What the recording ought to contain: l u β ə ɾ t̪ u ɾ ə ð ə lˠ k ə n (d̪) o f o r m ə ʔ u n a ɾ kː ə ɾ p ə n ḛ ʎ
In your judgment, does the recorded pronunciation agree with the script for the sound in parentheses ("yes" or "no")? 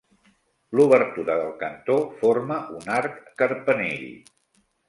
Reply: no